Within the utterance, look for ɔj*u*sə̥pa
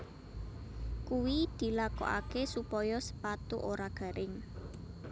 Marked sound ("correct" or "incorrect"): incorrect